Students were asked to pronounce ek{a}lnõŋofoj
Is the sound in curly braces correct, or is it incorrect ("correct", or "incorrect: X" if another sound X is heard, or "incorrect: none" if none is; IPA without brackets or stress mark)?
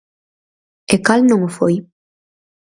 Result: correct